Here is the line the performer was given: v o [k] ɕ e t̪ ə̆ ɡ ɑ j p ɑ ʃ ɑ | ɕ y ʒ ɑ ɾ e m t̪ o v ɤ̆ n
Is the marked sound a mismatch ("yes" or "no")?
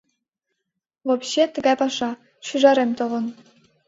yes